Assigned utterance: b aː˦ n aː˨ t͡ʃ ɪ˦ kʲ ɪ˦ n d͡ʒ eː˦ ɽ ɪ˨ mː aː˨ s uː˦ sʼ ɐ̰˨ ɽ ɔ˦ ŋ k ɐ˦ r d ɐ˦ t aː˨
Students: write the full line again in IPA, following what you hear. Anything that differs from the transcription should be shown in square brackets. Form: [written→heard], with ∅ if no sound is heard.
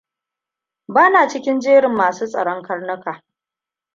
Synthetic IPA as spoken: b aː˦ n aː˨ t͡ʃ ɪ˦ kʲ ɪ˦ n d͡ʒ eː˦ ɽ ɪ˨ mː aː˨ s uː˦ sʼ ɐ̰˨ ɽ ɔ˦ ŋ k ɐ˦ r [d→n] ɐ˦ [t→k] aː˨

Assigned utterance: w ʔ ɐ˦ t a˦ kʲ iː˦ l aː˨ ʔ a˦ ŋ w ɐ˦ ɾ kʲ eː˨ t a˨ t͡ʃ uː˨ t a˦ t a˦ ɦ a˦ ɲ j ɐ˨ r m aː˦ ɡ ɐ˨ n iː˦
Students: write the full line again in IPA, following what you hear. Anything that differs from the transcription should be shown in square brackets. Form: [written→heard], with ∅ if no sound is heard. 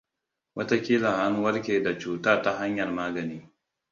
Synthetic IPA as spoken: w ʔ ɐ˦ t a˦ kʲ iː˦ l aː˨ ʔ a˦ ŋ w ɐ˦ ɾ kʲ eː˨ [t→d] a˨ t͡ʃ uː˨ t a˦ t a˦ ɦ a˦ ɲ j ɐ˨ r m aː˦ ɡ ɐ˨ n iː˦

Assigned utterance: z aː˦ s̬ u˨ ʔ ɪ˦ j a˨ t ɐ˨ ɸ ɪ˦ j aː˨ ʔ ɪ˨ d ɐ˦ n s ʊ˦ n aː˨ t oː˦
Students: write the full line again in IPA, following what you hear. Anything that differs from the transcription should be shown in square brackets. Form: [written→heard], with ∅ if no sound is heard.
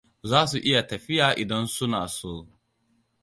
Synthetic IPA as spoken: z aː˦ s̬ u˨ ʔ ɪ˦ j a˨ t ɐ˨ ɸ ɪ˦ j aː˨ ʔ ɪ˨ d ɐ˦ n s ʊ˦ n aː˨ [t→s] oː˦

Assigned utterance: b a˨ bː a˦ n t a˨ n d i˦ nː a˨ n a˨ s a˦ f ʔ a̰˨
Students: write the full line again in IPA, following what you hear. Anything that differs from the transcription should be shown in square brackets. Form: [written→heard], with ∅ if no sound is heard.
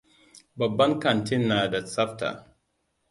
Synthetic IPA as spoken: b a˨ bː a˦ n [t→k] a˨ n [d→t] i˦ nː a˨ [n→d] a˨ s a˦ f [ʔ→t] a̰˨

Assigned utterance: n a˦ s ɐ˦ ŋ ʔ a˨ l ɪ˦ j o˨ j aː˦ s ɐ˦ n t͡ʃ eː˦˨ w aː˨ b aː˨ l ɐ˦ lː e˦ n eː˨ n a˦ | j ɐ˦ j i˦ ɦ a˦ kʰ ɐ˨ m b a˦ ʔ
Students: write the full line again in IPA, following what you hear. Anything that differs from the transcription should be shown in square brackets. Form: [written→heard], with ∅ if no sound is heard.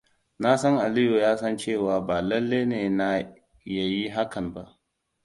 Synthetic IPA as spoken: n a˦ s ɐ˦ ŋ ʔ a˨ l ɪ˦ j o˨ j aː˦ s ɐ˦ n t͡ʃ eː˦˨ w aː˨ b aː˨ l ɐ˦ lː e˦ n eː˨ n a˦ | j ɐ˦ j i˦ ɦ a˦ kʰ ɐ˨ m b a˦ ʔ

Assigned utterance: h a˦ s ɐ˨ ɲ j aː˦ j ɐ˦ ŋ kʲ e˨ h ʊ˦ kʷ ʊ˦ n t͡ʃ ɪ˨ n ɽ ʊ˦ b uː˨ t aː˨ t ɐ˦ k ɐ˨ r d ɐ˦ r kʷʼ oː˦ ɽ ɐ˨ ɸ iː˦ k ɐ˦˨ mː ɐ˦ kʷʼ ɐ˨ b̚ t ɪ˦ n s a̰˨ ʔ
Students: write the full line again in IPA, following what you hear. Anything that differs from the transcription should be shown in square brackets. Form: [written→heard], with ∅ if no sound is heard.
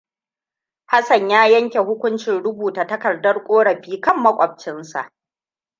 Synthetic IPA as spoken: h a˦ s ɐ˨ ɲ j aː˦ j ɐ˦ ŋ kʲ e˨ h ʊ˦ kʷ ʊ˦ n t͡ʃ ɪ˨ n ɽ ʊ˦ b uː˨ t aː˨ t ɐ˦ k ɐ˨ r d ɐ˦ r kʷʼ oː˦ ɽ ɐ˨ ɸ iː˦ k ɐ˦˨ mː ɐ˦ kʷʼ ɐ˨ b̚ [t→t͡ʃ] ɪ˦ n s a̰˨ ʔ

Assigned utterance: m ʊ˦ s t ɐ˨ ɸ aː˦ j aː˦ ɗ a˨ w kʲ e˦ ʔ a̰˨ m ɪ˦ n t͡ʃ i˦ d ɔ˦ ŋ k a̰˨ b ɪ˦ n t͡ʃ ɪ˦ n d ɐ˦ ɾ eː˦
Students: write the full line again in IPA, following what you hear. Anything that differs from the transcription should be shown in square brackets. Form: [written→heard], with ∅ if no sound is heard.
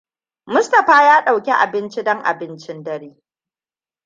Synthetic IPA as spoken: m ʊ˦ s t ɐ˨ ɸ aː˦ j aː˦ ɗ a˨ w kʲ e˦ ʔ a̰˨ [m→b] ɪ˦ n t͡ʃ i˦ d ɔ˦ ŋ [k→ʔ] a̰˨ b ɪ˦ n t͡ʃ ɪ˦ n d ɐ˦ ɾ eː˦

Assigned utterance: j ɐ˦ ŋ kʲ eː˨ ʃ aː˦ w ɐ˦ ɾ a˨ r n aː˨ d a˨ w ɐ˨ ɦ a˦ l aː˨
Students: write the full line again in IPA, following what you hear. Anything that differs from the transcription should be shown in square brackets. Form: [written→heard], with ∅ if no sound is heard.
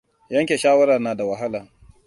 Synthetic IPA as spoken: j ɐ˦ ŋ kʲ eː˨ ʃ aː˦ w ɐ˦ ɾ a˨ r n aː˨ d a˨ w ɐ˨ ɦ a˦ l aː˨

